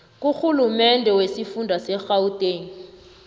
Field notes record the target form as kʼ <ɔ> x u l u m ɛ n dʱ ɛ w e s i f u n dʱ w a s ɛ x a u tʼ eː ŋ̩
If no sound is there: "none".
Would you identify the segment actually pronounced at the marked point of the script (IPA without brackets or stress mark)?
u